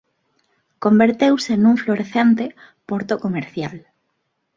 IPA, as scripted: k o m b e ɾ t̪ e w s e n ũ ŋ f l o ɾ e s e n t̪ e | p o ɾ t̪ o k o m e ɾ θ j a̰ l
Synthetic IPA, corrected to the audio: k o m b e ɾ t̪ e w s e n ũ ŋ f l o ɾ e θ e n t̪ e | p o ɾ t̪ o k o m e ɾ θ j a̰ l